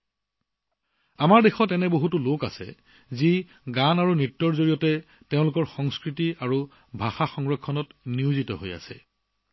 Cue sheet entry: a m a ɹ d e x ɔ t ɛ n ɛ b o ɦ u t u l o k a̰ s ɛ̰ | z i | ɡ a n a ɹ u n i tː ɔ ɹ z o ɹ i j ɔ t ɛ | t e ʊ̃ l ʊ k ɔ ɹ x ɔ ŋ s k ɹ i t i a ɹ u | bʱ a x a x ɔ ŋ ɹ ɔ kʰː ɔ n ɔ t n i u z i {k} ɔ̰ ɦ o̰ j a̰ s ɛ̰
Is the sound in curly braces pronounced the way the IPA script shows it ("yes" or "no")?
no